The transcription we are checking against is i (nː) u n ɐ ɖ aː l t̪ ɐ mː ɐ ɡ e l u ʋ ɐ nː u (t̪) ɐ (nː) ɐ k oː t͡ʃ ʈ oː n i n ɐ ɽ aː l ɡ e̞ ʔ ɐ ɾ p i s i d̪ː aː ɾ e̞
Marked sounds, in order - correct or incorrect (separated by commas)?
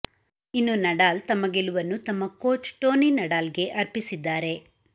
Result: correct, correct, incorrect